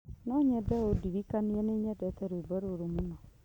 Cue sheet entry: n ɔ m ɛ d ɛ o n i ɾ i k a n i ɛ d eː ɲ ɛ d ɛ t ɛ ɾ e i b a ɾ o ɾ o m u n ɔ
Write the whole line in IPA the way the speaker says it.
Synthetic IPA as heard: n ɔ ɲ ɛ d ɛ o d i ɾ i k a n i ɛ n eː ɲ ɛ d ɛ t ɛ ɾ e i b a ɾ o ɾ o m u n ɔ